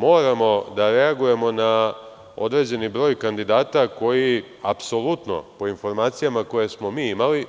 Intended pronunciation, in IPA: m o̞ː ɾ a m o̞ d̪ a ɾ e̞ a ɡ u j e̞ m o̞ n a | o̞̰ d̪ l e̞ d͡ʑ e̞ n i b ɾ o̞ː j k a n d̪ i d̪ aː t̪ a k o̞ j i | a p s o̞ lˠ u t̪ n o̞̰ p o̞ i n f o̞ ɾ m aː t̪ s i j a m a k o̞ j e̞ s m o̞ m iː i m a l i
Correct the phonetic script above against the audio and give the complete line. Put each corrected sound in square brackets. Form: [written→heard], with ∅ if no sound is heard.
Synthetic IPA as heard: m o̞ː ɾ a m o̞ d̪ a ɾ e̞ a ɡ u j e̞ m o̞ n a | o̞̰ d̪ [l→ɾ] e̞ d͡ʑ e̞ n i b ɾ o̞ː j k a n d̪ i d̪ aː t̪ a k o̞ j i | a p s o̞ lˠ u t̪ n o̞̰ p o̞ i n f o̞ ɾ m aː t̪ s i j a m a k o̞ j e̞ s m o̞ m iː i m a l i